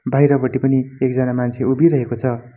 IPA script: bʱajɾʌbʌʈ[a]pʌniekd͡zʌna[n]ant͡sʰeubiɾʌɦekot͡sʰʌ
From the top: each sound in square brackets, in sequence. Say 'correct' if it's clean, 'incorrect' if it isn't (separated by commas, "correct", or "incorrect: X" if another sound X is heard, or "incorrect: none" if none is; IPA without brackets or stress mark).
incorrect: i, incorrect: m